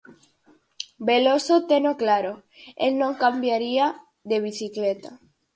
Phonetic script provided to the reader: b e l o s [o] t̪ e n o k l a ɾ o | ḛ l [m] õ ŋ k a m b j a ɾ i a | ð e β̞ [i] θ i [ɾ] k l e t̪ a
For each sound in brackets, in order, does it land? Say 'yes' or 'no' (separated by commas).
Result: yes, no, yes, no